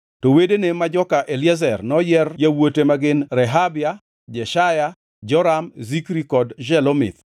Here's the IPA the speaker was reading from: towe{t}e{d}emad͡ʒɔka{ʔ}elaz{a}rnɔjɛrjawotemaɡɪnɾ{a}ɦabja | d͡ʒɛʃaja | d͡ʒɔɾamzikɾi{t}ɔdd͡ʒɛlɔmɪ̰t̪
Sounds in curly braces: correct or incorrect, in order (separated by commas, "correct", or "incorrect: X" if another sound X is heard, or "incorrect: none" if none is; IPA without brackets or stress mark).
incorrect: d, incorrect: n, correct, incorrect: ɛ, incorrect: ɛ, incorrect: k